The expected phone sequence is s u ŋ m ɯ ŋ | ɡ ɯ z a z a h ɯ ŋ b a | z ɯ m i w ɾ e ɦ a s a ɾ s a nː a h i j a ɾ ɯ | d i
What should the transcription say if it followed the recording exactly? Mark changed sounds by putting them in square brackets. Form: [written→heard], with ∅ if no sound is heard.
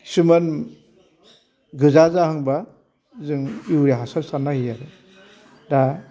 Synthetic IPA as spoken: s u [ŋ→∅] m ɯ [ŋ→n] | ɡ ɯ z a z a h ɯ ŋ b a | z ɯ [m→ŋ] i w ɾ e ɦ a s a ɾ s a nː a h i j a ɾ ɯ | d [i→a]